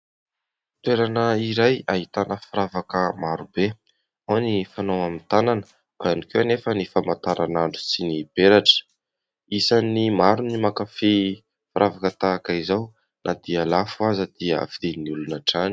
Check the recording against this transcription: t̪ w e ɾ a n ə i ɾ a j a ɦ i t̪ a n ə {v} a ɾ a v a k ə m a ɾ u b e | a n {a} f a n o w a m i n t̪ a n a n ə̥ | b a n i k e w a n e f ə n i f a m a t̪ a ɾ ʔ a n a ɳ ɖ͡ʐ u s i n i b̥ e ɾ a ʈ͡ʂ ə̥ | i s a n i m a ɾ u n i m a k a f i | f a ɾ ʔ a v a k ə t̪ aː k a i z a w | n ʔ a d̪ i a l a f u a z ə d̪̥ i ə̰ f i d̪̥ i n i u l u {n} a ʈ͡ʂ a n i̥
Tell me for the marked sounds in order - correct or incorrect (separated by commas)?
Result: incorrect, incorrect, correct